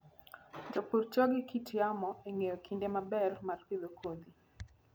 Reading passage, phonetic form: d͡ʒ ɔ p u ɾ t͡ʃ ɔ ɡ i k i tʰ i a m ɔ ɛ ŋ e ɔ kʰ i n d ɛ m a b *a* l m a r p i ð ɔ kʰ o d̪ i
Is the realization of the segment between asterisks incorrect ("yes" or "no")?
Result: yes